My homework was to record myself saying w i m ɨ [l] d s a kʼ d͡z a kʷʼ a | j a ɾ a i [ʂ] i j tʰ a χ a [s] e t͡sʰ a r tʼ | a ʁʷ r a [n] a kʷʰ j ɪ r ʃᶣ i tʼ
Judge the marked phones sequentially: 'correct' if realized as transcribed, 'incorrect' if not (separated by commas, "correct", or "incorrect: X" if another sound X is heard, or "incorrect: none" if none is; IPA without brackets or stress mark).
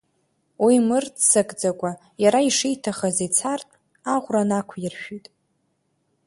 incorrect: r, correct, incorrect: z, correct